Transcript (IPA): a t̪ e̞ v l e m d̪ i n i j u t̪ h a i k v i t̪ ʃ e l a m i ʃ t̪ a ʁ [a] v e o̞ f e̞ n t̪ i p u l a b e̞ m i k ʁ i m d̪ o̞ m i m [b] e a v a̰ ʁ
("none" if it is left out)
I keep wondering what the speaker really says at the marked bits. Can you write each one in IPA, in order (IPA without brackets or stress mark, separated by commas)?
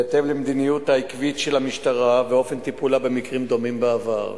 a, b